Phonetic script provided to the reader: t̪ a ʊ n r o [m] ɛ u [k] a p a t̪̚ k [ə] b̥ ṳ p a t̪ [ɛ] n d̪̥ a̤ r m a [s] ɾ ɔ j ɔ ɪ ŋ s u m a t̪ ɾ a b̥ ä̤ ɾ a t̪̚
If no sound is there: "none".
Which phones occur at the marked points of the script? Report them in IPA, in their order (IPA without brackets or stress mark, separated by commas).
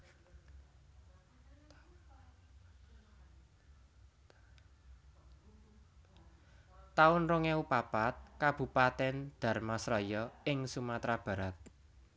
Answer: ŋ, p, a, ɛ, s